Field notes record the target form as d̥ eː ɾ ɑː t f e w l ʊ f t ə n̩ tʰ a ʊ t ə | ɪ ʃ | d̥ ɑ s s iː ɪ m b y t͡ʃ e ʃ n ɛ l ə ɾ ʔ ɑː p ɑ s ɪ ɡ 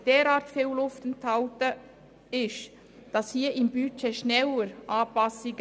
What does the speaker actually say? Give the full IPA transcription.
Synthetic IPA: d̥ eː ɾ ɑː t f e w l ʊ f t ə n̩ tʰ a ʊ t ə | ɪ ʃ | d̥ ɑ s h iː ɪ m b y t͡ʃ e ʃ n ɛ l ə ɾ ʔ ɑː p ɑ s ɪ ɡ